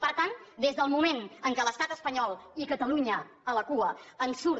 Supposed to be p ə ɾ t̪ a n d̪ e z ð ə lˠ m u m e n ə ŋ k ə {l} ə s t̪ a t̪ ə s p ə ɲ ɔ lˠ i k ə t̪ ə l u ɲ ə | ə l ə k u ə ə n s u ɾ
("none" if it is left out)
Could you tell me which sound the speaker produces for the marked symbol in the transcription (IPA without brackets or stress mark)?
l